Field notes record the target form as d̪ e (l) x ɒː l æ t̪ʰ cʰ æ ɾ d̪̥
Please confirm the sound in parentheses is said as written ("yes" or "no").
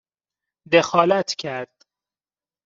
no